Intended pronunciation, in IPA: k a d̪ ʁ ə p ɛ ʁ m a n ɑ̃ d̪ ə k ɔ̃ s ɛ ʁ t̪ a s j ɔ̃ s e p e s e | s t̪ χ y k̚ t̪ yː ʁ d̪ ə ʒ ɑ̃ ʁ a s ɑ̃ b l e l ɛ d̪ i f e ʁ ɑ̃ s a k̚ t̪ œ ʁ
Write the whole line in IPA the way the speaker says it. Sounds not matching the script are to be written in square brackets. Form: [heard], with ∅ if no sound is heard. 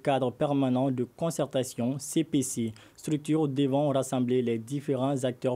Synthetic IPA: k a d̪ ʁ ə p ɛ ʁ m a n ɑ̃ d̪ ə k ɔ̃ s ɛ ʁ t̪ a s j ɔ̃ s e p e s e | s t̪ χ y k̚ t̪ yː ʁ d̪ ə [v] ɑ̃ ʁ a s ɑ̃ b l e l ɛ d̪ i f e ʁ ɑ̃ [z] a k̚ t̪ œ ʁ